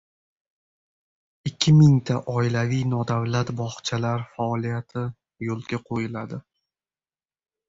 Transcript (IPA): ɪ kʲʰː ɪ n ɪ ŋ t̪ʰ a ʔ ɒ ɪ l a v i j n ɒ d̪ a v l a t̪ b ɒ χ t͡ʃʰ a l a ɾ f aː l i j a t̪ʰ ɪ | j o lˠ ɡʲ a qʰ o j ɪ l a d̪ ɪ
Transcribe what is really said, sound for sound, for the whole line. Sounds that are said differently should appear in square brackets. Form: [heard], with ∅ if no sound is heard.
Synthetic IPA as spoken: ɪ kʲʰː ɪ [m] ɪ ŋ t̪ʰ a ʔ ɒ ɪ l a v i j n ɒ d̪ a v l a t̪ b ɒ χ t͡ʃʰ a l a ɾ f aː l i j a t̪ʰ ɪ | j o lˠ ɡʲ a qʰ o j ɪ l a d̪ ɪ